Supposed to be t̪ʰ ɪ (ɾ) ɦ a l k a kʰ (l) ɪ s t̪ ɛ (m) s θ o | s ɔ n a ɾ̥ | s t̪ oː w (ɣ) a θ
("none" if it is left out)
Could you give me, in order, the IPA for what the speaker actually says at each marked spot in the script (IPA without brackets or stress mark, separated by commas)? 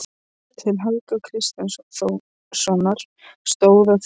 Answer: l, ɾ, n, ð